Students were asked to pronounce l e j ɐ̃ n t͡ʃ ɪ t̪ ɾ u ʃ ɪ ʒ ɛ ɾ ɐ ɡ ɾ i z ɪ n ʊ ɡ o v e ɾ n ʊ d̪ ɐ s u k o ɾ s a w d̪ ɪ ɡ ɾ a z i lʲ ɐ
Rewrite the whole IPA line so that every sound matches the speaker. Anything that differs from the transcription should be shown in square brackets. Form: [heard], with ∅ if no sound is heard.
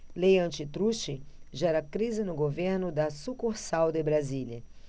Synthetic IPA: l e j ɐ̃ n t͡ʃ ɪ t̪ ɾ u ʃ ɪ ʒ ɛ ɾ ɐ [k] ɾ i z ɪ n ʊ ɡ o v e ɾ n ʊ d̪ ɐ s u k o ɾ s a w d̪ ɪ [b] ɾ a z i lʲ ɐ

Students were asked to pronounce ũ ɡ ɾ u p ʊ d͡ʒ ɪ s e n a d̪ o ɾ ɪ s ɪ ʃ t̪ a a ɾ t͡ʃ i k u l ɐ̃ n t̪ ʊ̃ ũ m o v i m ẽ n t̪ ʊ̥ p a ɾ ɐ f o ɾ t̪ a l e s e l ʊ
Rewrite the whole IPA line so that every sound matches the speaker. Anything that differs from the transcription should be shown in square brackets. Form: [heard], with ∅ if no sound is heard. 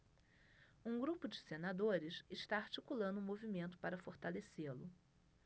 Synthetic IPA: ũ ɡ ɾ u p ʊ d͡ʒ ɪ s e n a d̪ o ɾ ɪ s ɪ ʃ t̪ a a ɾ t͡ʃ i k u l ɐ̃ n [d̪] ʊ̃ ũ m o v i m ẽ n t̪ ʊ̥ p a ɾ ɐ f o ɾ t̪ a l e s e l ʊ

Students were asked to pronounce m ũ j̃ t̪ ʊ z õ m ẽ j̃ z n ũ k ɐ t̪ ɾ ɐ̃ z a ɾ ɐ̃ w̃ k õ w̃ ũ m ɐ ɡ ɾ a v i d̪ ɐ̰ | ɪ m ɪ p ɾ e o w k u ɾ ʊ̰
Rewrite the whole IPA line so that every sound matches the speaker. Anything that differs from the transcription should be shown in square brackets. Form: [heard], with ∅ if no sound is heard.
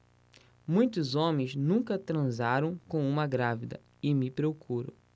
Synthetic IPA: m ũ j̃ t̪ ʊ z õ m ẽ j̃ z n ũ k ɐ t̪ ɾ ɐ̃ z a ɾ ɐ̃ w̃ k õ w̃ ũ m ɐ ɡ ɾ a v i d̪ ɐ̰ | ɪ m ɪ p ɾ e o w k u ɾ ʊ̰

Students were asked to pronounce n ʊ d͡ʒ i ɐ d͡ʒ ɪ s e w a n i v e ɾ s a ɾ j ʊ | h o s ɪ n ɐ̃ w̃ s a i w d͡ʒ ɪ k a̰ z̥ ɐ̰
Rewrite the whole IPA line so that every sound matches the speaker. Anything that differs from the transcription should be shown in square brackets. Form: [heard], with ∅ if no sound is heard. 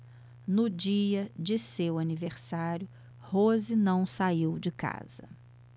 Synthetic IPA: n ʊ d͡ʒ i ɐ d͡ʒ ɪ s e w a n i v e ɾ s a ɾ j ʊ | h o [z] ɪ n ɐ̃ w̃ s a i w d͡ʒ ɪ k a̰ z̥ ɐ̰

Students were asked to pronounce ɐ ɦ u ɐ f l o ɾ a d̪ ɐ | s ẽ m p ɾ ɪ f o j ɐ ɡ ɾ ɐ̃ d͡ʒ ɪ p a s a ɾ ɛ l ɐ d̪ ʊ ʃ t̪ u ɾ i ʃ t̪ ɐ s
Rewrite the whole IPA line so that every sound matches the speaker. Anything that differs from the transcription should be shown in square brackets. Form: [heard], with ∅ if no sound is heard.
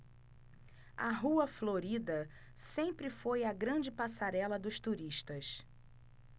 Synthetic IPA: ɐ ɦ u ɐ f l o ɾ [i] d̪ ɐ | s ẽ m p ɾ ɪ f o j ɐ ɡ ɾ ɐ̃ d͡ʒ ɪ p a s a ɾ ɛ l ɐ d̪ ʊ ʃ t̪ u ɾ i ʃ t̪ ɐ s

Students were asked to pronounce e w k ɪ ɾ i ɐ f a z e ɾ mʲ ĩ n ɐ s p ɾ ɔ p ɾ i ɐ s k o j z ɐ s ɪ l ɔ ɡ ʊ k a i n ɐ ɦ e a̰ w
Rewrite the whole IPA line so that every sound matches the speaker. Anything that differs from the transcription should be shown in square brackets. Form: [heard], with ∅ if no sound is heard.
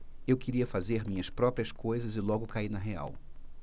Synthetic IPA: e w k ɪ ɾ i ɐ f a z e ɾ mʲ ĩ [ɲ] ɐ s p ɾ ɔ p ɾ i ɐ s k o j z ɐ [z] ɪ l ɔ ɡ ʊ k a i n ɐ ɦ e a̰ w

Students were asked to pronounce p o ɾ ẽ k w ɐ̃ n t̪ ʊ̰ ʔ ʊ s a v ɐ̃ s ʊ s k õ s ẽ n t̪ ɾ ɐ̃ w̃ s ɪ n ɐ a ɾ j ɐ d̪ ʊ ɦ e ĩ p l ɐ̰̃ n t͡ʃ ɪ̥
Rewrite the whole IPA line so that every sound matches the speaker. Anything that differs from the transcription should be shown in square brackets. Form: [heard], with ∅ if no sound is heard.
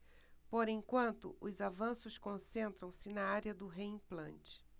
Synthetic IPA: p o ɾ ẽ k w ɐ̃ n t̪ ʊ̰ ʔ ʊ [z] a v ɐ̃ s ʊ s k õ s ẽ n t̪ ɾ ɐ̃ w̃ s ɪ n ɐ a ɾ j ɐ d̪ ʊ ɦ e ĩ p l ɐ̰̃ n t͡ʃ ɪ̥

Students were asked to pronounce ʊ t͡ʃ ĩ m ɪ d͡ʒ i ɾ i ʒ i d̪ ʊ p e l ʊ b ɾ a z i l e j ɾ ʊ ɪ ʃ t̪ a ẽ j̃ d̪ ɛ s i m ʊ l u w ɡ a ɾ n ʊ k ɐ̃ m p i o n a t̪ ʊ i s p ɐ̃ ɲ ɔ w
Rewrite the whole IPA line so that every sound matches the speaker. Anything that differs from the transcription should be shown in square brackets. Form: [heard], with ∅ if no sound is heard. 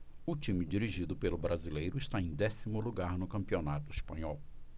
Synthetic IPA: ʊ t͡ʃ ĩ m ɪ d͡ʒ i ɾ i ʒ i d̪ ʊ p e l ʊ b ɾ a z i l e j ɾ ʊ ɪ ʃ t̪ a ẽ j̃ d̪ ɛ s i m ʊ l u [∅] ɡ a ɾ n ʊ k ɐ̃ m p i o n a t̪ ʊ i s p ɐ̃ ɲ ɔ w

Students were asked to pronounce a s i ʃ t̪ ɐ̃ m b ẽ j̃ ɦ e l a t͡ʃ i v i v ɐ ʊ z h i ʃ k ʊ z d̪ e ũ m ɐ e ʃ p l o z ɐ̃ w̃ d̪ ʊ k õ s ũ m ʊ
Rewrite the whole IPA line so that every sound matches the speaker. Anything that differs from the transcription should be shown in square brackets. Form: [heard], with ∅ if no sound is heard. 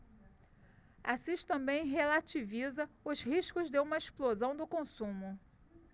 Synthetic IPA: a s i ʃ t̪ ɐ̃ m b ẽ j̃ ɦ e l a t͡ʃ i v i [z] ɐ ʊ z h i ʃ k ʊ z d̪ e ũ m ɐ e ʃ p l o z ɐ̃ w̃ d̪ ʊ k õ s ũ m ʊ

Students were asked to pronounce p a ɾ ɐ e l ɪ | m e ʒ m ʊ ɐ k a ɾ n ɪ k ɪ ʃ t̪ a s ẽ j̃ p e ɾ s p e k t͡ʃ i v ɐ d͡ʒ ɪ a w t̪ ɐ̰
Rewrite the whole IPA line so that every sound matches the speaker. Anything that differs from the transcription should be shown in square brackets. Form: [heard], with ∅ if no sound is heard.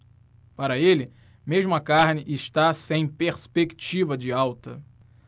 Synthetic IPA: p a ɾ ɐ e l ɪ | m e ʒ m ʊ ɐ k a ɾ n ɪ [ʔ] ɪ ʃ t̪ a s ẽ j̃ p e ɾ s p e k t͡ʃ i v ɐ d͡ʒ ɪ a w t̪ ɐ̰

